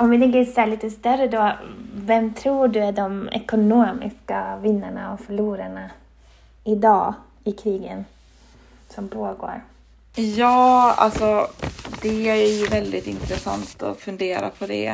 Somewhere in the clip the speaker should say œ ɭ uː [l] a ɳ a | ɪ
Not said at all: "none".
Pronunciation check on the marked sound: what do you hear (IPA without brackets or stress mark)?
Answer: ɾ